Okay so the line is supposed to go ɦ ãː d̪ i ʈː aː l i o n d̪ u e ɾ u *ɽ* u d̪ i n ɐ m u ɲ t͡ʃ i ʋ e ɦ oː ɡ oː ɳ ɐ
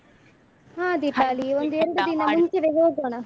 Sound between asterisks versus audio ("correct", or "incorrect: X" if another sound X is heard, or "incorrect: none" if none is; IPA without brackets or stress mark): correct